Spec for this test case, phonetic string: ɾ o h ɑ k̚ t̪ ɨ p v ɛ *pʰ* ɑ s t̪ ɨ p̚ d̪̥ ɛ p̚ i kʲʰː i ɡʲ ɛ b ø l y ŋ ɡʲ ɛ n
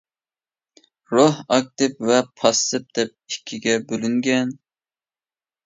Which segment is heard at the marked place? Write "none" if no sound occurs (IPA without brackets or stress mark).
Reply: pʰ